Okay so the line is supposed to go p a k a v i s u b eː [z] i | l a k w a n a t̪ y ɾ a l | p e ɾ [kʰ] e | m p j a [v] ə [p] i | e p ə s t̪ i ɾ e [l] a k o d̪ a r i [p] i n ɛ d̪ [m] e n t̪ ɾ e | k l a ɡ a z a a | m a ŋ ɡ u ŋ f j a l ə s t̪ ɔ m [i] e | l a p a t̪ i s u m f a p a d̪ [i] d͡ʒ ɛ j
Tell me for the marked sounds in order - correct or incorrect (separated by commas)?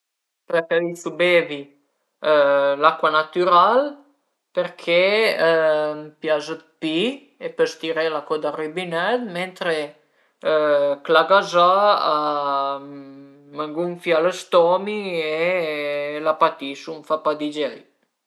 incorrect, correct, incorrect, correct, correct, incorrect, correct, correct, correct